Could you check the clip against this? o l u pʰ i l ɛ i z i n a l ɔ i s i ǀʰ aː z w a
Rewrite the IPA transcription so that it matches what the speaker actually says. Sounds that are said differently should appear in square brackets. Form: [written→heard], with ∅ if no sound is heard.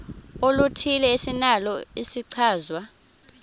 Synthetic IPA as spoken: o l u [pʰ→tʰ] i l ɛ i [z→s] i n a l ɔ i s i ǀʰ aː z w a